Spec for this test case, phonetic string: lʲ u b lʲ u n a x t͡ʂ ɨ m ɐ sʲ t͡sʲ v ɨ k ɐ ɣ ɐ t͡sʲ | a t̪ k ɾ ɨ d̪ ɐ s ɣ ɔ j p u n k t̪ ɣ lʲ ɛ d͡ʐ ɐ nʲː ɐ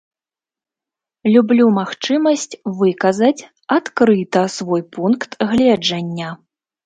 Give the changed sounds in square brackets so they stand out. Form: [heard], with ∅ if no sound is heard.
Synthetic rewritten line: lʲ u b lʲ u [m] a x t͡ʂ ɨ m ɐ sʲ t͡sʲ v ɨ k ɐ [z] ɐ t͡sʲ | a t̪ k ɾ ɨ [t̪] ɐ s [v] ɔ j p u n k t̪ ɣ lʲ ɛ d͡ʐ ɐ nʲː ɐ